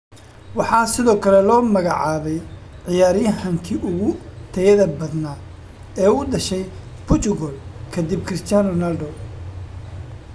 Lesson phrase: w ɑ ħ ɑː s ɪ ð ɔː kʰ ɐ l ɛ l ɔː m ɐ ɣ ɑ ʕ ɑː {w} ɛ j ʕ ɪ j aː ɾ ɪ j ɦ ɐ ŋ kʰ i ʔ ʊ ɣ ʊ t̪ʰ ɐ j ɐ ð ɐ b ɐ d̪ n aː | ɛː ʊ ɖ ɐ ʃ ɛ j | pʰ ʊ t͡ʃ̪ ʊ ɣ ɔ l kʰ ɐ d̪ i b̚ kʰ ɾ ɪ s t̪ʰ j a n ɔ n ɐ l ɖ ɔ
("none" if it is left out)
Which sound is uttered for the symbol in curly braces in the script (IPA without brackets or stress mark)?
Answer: β